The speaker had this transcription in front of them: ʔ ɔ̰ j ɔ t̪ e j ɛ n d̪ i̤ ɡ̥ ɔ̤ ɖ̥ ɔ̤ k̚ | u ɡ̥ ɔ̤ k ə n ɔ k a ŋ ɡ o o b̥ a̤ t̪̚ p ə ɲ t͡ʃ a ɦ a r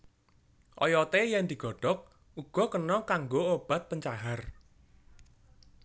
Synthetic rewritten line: ʔ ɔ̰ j ɔ t̪ e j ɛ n d̪ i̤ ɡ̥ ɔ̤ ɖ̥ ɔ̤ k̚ | u ɡ̥ ɔ̤ k ə n ɔ k a ŋ ɡ o o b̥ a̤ t̪̚ p ə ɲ t͡ʃ a ɦ a r

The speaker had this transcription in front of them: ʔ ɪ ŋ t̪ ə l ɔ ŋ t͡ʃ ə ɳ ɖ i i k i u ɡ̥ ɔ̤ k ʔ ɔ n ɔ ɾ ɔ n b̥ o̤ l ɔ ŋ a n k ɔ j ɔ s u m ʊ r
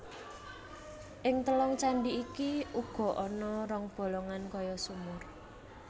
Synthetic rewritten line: ʔ ɪ ŋ t̪ ə l ɔ ŋ t͡ʃ a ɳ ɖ i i k i u ɡ̥ ɔ̤ ʔ ɔ n ɔ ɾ ɔ ŋ b̥ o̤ l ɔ ŋ a n k ɔ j ɔ s u m ʊ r

